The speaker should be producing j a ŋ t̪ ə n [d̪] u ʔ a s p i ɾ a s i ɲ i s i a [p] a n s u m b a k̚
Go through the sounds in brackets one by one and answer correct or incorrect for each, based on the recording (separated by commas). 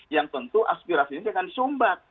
incorrect, incorrect